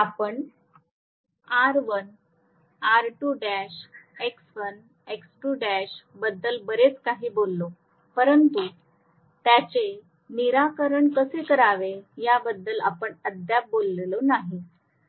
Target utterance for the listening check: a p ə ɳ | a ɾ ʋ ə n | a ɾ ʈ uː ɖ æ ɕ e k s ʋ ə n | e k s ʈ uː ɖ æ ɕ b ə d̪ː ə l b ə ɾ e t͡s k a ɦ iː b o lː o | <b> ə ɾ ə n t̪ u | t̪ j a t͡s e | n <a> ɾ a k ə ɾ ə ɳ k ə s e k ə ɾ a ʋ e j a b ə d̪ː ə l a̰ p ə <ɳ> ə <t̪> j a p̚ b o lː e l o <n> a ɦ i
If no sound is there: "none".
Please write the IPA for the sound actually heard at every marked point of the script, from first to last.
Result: p, i, ɳ, d̪, n

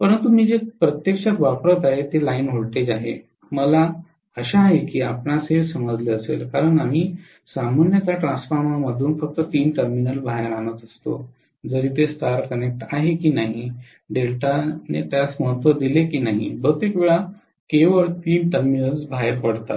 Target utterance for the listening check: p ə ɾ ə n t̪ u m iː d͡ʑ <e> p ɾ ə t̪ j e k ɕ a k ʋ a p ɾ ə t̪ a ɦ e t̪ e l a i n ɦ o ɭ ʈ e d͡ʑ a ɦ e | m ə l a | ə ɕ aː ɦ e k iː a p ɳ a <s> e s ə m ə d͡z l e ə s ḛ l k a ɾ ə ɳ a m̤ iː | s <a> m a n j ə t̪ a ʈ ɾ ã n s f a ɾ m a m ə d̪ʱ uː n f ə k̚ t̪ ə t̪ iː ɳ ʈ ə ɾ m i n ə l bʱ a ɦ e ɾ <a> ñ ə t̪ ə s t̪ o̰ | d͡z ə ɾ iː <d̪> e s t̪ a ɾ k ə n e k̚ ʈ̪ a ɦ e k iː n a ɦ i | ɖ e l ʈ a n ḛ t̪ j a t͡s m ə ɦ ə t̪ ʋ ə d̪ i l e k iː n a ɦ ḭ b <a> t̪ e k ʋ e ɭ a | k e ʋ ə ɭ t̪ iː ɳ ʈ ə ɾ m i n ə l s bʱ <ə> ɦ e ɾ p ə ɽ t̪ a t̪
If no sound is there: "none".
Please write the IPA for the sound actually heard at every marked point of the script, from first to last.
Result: e, s, a, a, t̪, ə, a

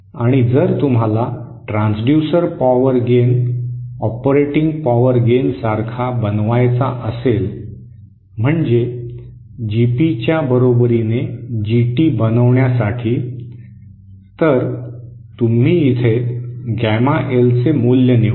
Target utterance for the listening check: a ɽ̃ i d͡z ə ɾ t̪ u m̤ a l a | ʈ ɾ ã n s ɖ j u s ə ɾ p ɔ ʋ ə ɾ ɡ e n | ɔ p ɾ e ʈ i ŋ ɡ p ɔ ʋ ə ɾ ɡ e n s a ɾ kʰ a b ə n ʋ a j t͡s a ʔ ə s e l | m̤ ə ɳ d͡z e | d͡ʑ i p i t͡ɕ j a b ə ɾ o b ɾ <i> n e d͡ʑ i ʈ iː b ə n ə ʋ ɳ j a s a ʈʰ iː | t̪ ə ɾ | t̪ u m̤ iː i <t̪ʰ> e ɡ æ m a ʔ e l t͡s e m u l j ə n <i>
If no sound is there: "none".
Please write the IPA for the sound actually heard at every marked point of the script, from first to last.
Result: i, t̪ʰ, i

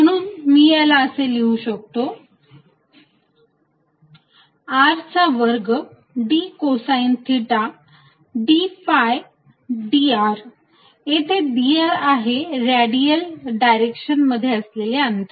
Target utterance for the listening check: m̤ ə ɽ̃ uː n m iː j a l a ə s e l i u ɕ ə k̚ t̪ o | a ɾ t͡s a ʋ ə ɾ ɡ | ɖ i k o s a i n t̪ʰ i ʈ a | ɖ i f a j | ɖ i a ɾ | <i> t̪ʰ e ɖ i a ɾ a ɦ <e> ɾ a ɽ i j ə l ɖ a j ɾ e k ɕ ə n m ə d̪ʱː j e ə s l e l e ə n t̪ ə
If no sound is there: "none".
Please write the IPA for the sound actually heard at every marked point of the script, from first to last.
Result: e, e

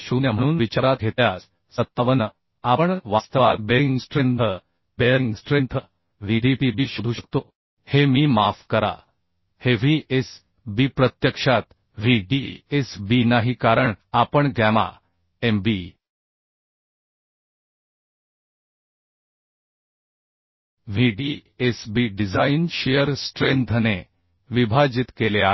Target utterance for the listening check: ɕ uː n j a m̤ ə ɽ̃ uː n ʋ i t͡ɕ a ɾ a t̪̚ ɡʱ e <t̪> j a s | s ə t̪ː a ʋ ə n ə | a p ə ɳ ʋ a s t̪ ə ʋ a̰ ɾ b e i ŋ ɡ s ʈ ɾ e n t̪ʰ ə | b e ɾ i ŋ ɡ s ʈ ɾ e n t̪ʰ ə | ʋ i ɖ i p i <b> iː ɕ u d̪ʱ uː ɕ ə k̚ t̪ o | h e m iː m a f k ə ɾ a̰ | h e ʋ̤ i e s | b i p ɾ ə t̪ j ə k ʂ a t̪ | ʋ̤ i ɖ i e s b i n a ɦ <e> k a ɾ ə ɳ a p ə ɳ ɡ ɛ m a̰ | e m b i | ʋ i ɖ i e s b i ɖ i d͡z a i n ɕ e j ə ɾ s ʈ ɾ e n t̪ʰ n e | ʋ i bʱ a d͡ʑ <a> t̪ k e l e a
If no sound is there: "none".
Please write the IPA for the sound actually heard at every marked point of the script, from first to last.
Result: t̪, b, i, i

